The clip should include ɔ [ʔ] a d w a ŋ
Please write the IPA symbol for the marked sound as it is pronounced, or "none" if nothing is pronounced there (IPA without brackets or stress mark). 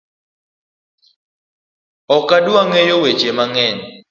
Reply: k